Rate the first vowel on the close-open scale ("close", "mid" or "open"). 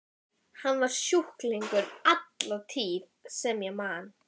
open